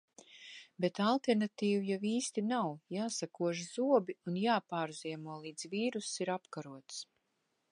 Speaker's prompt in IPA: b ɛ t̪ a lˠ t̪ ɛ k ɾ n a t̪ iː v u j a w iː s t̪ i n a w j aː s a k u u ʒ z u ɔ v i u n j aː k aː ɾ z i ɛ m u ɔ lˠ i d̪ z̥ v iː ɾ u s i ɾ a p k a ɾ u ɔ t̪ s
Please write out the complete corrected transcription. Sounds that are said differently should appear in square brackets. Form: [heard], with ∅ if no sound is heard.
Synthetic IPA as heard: b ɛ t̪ a lˠ t̪ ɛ [∅] ɾ n a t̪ iː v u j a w iː s t̪ i n a w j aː s a k u [ɔ] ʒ z u ɔ [b] i u n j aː [p] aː ɾ z i ɛ m u ɔ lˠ [iː] d̪ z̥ v iː ɾ u s i ɾ a p k a ɾ u ɔ t̪ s